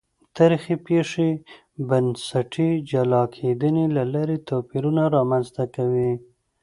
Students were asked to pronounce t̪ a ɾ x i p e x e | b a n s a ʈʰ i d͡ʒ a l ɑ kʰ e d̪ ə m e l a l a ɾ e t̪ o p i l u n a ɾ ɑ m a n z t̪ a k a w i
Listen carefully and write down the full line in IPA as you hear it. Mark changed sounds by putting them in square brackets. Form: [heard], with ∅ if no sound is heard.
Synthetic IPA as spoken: t̪ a ɾ x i p e [ʂ] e | b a n s a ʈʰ i d͡ʒ a l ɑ kʰ e d̪ ə [n] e l a l a ɾ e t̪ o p i [ɾ] u n a ɾ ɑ m a n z t̪ a k a w i